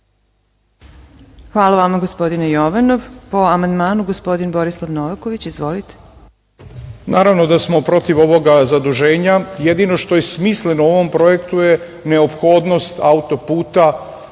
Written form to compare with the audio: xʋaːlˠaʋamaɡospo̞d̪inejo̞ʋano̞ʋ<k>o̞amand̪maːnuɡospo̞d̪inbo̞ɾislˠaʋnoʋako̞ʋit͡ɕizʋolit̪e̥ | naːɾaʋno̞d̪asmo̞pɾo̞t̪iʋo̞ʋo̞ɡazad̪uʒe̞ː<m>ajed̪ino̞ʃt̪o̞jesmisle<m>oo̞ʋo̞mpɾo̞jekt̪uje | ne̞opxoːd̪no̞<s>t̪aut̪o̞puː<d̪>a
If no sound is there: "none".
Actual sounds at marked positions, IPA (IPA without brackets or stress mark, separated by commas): p, ɲ, n, s, t̪